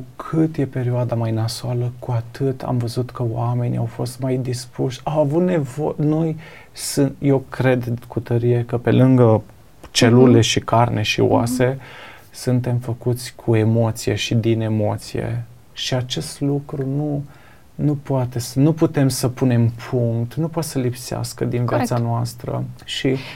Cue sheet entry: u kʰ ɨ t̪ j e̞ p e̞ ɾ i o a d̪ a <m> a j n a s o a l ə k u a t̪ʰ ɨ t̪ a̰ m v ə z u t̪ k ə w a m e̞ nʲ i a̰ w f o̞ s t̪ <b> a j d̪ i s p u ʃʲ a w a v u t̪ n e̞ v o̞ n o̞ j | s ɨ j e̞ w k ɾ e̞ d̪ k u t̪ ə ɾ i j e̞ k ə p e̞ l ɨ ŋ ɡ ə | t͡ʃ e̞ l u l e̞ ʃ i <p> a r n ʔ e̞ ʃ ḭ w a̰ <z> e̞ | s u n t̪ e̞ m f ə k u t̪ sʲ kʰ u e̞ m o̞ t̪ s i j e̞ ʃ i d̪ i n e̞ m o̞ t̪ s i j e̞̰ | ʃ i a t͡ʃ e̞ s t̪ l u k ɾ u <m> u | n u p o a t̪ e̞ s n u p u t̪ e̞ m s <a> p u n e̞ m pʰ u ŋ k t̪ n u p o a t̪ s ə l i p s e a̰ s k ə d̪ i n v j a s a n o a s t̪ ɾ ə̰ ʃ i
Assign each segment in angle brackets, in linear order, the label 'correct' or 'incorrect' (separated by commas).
correct, incorrect, incorrect, incorrect, incorrect, incorrect